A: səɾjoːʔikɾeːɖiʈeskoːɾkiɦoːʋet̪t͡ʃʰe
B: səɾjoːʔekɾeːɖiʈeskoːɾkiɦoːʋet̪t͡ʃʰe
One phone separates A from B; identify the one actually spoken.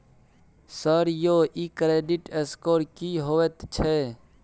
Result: A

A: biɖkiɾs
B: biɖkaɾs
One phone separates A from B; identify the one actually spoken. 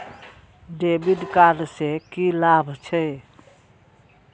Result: B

